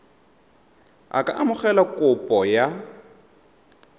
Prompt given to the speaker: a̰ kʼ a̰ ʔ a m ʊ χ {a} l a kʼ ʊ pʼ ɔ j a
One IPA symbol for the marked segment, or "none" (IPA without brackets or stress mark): ɛ